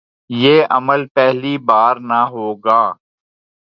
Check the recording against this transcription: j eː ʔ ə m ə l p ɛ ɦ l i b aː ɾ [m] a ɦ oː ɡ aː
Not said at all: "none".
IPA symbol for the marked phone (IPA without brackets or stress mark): n